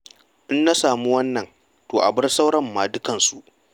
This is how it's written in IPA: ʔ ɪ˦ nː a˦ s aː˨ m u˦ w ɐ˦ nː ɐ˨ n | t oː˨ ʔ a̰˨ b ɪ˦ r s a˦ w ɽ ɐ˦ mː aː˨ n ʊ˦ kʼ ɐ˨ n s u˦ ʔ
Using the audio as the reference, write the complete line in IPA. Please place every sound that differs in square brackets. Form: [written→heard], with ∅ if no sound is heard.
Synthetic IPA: ʔ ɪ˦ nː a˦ s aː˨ m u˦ w ɐ˦ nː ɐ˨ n | t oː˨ ʔ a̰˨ b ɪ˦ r s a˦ w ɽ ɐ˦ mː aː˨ [n→d] ʊ˦ [kʼ→k] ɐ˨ n s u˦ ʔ